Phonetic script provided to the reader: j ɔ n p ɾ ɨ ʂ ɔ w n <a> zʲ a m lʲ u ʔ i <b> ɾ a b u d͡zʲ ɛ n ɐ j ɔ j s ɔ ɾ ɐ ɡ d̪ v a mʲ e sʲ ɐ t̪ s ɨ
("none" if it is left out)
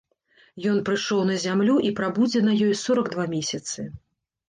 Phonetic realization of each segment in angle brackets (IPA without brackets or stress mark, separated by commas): ɐ, p